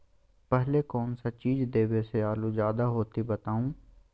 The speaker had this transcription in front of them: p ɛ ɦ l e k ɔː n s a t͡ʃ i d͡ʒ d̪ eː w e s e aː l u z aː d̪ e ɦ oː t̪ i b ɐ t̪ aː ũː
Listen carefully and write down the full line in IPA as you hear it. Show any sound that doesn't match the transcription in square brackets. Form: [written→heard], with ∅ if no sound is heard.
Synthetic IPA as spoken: p ɛ ɦ l e k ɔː n s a t͡ʃ [i→iː] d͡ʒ d̪ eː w e s e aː l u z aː d̪ [e→a] ɦ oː t̪ i b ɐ t̪ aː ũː

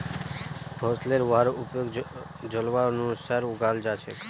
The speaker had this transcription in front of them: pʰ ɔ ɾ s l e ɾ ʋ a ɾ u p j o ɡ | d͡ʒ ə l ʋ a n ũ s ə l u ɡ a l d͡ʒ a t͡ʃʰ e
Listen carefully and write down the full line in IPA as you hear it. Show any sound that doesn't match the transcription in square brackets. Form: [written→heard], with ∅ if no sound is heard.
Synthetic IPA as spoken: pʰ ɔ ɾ s l e ɾ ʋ a ɾ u p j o ɡ | d͡ʒ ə l ʋ a n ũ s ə [l→ɾ] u ɡ a l d͡ʒ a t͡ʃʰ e

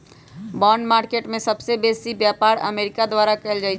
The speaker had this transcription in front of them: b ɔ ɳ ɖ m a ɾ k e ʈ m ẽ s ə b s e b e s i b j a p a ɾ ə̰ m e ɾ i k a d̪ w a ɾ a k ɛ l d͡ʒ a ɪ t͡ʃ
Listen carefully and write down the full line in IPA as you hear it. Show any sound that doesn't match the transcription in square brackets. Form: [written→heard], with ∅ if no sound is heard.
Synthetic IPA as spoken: b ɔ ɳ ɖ m a ɾ k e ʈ m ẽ s ə b s e b e s i b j a p a ɾ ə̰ m e ɾ i k a d̪ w a ɾ a k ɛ l d͡ʒ a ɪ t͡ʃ

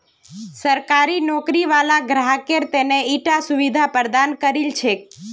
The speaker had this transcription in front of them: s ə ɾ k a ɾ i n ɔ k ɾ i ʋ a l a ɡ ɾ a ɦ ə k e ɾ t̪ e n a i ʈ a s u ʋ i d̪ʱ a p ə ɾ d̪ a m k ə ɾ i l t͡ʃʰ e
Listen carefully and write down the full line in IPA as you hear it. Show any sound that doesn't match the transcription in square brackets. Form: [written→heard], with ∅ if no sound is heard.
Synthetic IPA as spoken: s ə ɾ k a ɾ i n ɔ k ɾ i ʋ a l a ɡ ɾ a ɦ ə k e ɾ t̪ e n [a→e] i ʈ a s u ʋ i d̪ʱ a p ə ɾ d̪ a [m→n] k ə ɾ i l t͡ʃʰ e

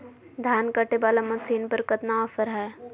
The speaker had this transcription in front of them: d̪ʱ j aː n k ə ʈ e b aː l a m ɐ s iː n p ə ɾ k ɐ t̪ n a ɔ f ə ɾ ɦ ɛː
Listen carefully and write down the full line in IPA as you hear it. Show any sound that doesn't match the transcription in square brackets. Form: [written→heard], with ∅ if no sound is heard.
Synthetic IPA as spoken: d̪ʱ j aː n k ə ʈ e b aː l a m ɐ s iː n p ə ɾ k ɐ t̪ n a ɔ f ə ɾ ɦ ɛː

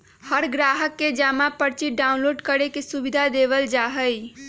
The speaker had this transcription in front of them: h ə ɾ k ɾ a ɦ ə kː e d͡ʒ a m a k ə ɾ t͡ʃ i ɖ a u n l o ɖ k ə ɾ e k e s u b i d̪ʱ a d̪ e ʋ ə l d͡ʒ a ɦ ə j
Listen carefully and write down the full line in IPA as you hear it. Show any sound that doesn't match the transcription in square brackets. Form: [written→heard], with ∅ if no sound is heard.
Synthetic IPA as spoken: h ə ɾ [k→ɡ] ɾ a ɦ ə kː e d͡ʒ a m a [k→p] ə ɾ t͡ʃ i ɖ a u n l o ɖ k ə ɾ e k e s u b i d̪ʱ a d̪ e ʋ ə l d͡ʒ a ɦ ə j

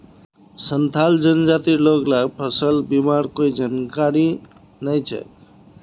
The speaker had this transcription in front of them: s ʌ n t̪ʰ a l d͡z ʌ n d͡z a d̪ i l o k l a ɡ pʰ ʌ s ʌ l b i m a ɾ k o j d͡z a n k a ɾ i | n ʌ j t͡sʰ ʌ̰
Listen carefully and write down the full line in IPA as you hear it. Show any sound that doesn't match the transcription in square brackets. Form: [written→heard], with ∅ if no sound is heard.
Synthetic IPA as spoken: s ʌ n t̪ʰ a l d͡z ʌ n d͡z a [d̪→t̪] i l o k l a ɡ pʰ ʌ s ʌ l b i m a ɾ k o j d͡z a n k a ɾ i | n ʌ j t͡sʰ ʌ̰

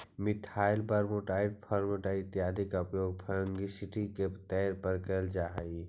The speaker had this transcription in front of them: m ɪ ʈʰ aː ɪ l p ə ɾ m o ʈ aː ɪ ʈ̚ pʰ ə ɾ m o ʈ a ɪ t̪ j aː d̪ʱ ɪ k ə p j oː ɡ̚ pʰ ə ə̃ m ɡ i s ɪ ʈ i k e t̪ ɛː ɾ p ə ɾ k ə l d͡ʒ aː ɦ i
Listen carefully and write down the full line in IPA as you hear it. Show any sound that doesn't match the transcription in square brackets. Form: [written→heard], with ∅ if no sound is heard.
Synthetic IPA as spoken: m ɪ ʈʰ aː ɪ l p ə ɾ m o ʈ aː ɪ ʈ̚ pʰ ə ɾ m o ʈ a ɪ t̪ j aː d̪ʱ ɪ k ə p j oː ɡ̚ pʰ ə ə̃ [m→ŋ] ɡ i s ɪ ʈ i k e t̪ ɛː ɾ p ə ɾ k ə l d͡ʒ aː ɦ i

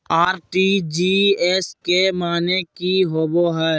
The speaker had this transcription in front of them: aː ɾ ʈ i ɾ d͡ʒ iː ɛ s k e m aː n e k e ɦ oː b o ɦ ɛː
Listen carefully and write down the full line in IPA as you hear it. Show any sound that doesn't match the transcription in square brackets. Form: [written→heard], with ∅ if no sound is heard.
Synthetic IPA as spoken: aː ɾ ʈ i [ɾ→∅] d͡ʒ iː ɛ s k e m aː n e k [e→i] ɦ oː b o ɦ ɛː

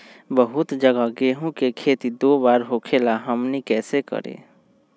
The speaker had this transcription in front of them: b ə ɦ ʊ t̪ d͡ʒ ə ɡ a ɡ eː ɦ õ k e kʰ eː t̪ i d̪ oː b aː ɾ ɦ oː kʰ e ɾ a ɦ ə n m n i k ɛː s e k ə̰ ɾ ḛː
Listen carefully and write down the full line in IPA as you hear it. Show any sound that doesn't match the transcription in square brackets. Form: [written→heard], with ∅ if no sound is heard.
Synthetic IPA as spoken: b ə ɦ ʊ t̪ d͡ʒ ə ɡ a ɡ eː ɦ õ k e kʰ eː t̪ i d̪ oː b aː ɾ ɦ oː kʰ e [ɾ→l] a ɦ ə [n→∅] m n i k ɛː s e k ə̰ ɾ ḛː

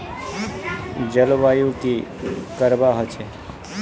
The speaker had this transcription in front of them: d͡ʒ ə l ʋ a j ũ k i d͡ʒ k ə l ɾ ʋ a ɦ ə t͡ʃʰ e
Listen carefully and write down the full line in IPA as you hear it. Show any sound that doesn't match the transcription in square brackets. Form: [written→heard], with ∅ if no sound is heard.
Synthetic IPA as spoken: d͡ʒ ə l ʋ a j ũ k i [d͡ʒ→∅] k ə [l→∅] ɾ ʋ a ɦ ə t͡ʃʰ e

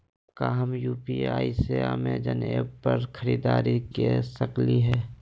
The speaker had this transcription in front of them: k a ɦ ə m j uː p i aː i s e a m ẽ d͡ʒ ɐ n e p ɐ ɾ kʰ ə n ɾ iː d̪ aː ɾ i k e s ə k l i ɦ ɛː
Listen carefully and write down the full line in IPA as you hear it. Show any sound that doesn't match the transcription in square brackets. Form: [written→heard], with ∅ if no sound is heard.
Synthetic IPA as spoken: k a ɦ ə m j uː p i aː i s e a m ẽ d͡ʒ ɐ n e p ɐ ɾ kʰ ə [n→∅] ɾ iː d̪ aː ɾ i k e s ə k l i ɦ ɛː

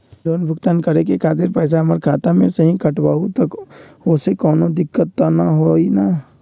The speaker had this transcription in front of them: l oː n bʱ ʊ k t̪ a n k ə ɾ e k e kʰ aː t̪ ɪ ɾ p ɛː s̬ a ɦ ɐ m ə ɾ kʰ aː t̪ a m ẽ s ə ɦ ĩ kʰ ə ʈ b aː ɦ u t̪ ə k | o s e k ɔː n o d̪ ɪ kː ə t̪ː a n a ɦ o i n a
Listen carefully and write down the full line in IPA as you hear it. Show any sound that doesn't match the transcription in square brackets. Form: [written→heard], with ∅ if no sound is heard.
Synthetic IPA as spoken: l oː n bʱ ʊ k t̪ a n k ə ɾ e k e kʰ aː t̪ ɪ ɾ p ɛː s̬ a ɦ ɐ m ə ɾ kʰ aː t̪ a m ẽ s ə ɦ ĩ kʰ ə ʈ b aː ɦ u t̪ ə k | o s e k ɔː n o d̪ ɪ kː ə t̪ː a n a ɦ o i n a

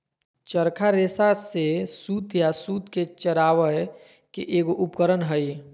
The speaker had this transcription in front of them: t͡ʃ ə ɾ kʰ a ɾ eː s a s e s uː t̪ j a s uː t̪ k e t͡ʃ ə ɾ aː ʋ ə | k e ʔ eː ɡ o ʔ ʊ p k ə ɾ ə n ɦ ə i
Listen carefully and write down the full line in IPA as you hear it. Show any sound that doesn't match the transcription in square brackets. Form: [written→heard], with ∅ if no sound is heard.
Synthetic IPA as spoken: t͡ʃ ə ɾ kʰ a ɾ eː s a s e s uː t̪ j a s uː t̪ k e t͡ʃ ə ɾ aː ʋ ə | k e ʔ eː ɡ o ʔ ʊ p k ə ɾ ə n ɦ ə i

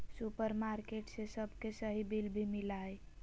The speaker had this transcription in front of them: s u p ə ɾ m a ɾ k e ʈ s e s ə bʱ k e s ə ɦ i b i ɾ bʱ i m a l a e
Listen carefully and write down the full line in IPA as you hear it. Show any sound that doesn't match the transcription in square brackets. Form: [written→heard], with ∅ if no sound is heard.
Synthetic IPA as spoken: s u p ə ɾ m a ɾ k e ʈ s e s ə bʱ k e s ə ɦ i b i [ɾ→l] bʱ i m [a→i] l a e

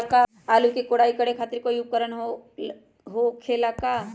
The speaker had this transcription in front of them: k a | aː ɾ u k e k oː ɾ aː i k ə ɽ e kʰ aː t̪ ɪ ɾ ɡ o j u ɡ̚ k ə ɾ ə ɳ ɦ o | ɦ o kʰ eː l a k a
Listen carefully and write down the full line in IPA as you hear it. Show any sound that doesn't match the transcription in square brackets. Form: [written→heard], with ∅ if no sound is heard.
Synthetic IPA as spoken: k a | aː [ɾ→l] u k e k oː [ɾ→ɽ] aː i k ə ɽ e kʰ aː t̪ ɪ ɾ [ɡ→k] o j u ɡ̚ k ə ɾ ə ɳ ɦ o | ɦ o kʰ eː l a k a

